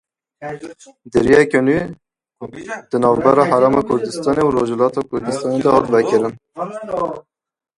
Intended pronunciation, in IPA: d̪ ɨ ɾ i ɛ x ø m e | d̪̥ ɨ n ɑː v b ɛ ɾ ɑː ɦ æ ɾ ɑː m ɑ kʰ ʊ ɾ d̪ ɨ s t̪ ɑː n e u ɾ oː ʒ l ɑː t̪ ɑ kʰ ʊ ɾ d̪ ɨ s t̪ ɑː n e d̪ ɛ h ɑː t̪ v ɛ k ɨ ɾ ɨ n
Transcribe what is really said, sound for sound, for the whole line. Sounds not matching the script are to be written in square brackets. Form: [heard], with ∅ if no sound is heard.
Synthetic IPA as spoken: d̪ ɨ ɾ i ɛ [k] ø [n] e | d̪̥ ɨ n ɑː v b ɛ ɾ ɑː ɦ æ ɾ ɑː m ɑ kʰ ʊ ɾ d̪ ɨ s t̪ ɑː n e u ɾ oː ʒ l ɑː t̪ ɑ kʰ ʊ ɾ d̪ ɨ s t̪ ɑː n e d̪ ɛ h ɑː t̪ v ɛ k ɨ ɾ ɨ n